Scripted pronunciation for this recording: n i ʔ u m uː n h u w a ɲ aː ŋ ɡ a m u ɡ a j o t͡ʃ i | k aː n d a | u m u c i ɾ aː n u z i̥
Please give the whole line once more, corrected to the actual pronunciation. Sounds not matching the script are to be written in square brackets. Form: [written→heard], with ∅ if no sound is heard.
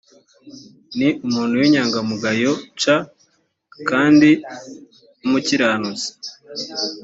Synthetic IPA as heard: n i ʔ u m uː n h u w [a→i] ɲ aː ŋ ɡ a m u ɡ a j o t͡ʃ [i→a] | k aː n d [a→i] | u m u c i ɾ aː n u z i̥